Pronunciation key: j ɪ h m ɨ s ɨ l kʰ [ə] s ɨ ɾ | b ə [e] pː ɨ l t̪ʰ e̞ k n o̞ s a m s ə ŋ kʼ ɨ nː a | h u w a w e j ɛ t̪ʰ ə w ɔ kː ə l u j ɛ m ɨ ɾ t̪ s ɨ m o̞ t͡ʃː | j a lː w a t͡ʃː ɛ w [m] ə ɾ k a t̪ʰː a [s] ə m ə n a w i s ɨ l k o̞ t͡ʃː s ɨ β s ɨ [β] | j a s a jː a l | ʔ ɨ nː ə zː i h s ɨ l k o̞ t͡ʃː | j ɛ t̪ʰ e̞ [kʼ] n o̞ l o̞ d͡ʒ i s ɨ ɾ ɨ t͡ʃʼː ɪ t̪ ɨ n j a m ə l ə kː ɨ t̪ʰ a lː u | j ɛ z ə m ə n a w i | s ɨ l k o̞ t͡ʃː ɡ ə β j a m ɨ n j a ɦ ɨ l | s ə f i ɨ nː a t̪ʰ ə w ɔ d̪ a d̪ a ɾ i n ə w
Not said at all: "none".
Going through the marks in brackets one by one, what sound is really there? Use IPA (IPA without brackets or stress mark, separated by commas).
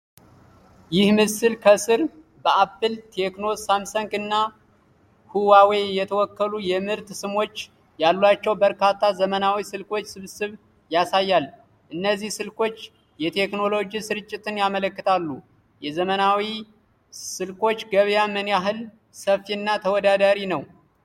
ə, a, b, z, β, k